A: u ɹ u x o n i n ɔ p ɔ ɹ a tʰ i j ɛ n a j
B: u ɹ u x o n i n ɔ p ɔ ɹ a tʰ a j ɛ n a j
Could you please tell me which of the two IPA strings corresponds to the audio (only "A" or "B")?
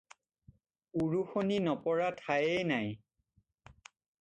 B